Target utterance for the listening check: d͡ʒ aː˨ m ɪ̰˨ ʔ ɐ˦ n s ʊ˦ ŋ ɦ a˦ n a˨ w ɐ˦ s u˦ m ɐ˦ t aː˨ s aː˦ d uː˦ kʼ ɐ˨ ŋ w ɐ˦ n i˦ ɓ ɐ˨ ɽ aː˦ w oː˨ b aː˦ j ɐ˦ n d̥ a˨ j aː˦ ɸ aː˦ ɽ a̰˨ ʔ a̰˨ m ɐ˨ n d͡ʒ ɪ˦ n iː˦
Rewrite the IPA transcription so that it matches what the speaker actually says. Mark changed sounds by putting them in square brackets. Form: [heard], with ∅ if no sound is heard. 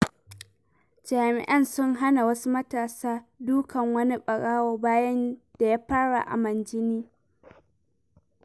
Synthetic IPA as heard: d͡ʒ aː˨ m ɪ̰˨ ʔ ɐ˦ n s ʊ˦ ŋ ɦ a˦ n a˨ w ɐ˦ s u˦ m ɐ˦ t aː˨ s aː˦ d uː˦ [k] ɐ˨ ŋ w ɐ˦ n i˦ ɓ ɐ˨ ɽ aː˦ w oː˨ b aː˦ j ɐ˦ n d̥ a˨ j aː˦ ɸ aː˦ ɽ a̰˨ ʔ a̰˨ m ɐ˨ n d͡ʒ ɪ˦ n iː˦